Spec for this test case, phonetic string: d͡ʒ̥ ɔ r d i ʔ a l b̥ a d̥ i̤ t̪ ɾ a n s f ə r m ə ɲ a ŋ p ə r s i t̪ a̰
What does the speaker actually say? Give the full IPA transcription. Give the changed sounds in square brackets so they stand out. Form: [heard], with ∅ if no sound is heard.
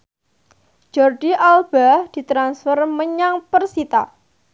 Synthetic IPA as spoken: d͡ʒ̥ ɔ r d i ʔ a l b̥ a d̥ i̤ t̪ ɾ a n s f ə r m ə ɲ a ŋ p ə r s i t̪ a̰